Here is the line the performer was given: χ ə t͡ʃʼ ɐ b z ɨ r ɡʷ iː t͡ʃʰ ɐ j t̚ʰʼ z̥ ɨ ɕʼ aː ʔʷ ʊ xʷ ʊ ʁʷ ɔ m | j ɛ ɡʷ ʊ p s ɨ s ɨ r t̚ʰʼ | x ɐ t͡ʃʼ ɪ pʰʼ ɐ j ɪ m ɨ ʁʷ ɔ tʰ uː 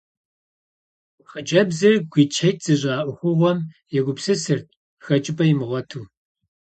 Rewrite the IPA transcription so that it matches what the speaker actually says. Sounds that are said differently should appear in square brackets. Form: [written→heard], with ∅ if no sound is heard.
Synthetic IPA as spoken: χ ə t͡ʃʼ ɐ b z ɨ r ɡʷ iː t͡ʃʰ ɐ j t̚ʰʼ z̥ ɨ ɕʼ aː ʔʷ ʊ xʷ ʊ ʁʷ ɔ m | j ɛ ɡʷ ʊ p s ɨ s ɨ r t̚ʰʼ | x ɐ t͡ʃʼ ɪ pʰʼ ɐ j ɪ m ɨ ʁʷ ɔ tʰ uː